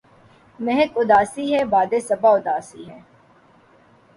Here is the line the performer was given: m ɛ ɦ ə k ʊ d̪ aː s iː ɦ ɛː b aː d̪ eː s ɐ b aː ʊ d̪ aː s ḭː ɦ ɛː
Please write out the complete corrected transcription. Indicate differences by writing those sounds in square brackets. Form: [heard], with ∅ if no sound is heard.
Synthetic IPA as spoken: m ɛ ɦ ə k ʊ d̪ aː s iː ɦ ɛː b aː d̪ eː s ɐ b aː ʊ d̪ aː s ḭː ɦ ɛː

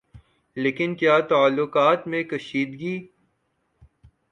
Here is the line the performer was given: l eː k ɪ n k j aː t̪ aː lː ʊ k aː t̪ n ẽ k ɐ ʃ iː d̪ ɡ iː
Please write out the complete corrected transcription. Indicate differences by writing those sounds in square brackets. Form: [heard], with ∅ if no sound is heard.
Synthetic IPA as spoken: l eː k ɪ n k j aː t̪ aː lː ʊ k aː t̪ [m] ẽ k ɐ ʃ iː d̪ ɡ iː

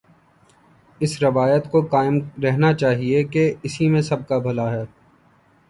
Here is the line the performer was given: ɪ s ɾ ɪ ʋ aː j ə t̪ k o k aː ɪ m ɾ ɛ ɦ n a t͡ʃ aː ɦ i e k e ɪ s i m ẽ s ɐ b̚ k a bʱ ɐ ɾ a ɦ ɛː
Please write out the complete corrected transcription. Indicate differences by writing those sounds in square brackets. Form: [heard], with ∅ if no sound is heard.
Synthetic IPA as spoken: ɪ s ɾ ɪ ʋ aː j ə t̪ k o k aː ɪ m ɾ ɛ ɦ n a t͡ʃ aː ɦ i e k e ɪ s i m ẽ s ɐ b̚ k a bʱ ɐ [l] a ɦ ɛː

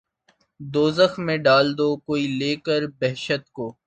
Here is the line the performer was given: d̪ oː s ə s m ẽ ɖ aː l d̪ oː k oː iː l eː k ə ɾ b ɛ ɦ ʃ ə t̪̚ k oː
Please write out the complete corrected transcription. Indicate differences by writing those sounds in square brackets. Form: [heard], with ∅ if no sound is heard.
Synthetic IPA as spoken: d̪ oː [z] ə [x] m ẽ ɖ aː l d̪ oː k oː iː l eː k ə ɾ b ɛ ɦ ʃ ə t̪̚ k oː

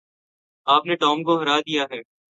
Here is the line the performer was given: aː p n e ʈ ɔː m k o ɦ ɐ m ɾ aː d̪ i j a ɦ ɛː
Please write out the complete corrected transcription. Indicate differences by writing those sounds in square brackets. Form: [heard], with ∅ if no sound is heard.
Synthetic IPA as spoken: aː p n e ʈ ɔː m k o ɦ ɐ [∅] ɾ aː d̪ i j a ɦ ɛː

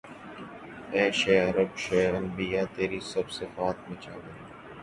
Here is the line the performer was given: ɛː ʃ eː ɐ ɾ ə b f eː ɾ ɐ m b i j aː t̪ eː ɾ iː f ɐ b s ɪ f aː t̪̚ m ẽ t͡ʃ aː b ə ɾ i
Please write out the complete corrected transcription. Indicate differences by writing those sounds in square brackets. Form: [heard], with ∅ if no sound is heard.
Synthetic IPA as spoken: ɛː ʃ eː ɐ ɾ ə b [ʃ] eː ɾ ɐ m b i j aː t̪ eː ɾ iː [s] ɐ b s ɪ f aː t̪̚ m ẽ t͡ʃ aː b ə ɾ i

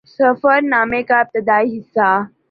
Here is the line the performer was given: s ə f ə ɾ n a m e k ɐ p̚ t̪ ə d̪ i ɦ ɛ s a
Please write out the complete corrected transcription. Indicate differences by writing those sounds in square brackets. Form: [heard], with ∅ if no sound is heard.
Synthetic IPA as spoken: s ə f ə ɾ n a m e k [a] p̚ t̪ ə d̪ [a] ɦ [i] s a

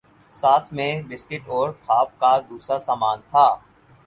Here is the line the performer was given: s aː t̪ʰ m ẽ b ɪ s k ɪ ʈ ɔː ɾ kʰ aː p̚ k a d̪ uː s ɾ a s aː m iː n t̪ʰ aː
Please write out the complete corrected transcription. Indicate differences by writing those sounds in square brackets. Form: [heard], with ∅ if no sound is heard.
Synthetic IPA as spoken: s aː t̪ʰ m ẽ b ɪ s k ɪ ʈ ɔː ɾ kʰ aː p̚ k a d̪ uː s ɾ a s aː m [aː] n t̪ʰ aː

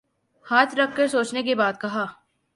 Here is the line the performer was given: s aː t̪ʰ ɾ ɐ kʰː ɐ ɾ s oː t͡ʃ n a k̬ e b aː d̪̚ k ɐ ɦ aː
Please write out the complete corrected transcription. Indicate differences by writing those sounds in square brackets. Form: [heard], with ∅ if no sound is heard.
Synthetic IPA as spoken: [h] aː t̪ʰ ɾ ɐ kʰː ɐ ɾ s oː t͡ʃ n [e] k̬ e b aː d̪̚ k ɐ ɦ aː

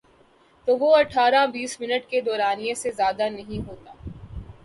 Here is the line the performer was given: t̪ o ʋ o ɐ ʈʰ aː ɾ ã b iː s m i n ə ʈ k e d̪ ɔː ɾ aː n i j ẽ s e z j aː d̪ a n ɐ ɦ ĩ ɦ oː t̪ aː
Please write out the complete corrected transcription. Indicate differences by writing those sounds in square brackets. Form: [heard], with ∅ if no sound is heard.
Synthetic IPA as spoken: t̪ o ʋ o ɐ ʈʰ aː ɾ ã b iː s m [ɪ] n ə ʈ k e d̪ ɔː ɾ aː n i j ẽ s e z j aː d̪ a n ɐ ɦ ĩ ɦ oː t̪ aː

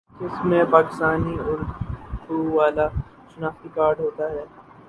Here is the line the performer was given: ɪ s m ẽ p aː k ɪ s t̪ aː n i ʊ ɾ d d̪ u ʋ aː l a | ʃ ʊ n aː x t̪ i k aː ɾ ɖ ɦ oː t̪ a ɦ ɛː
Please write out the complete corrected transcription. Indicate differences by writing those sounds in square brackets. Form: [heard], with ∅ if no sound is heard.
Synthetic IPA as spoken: ɪ s m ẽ p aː k ɪ s t̪ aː n i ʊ ɾ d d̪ u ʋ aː l a | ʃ ʊ n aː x t̪ i k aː ɾ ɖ ɦ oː t̪ a ɦ ɛː

